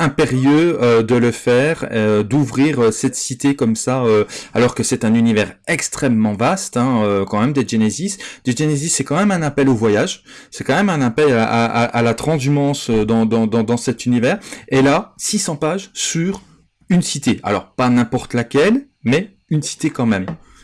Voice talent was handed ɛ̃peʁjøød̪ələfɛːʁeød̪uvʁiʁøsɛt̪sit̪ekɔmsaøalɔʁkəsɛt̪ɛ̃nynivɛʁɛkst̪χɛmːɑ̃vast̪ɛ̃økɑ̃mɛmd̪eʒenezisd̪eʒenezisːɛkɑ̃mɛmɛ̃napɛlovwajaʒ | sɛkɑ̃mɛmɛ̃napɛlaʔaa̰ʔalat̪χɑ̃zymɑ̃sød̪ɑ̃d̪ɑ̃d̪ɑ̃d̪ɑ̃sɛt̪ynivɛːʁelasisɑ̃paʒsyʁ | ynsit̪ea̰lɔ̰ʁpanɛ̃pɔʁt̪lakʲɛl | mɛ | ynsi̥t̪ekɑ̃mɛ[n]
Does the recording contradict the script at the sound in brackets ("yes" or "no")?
yes